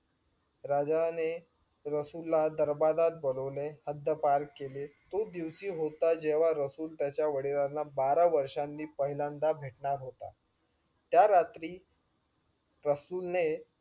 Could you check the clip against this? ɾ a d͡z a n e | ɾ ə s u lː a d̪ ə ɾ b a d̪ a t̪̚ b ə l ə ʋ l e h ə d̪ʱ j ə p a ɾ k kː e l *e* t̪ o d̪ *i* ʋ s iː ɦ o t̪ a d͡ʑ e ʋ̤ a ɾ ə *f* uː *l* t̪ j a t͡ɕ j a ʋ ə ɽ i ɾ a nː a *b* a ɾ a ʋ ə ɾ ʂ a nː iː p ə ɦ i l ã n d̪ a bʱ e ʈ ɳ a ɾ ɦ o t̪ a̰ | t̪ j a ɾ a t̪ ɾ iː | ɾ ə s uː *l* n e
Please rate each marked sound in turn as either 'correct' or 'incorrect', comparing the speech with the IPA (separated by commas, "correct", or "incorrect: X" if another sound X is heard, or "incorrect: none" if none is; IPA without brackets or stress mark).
correct, correct, incorrect: s, correct, correct, correct